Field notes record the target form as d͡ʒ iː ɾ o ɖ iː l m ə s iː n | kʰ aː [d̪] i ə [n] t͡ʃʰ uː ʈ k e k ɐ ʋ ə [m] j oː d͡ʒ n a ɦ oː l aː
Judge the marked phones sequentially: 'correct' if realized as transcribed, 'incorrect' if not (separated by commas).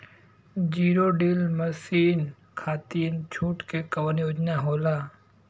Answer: incorrect, correct, incorrect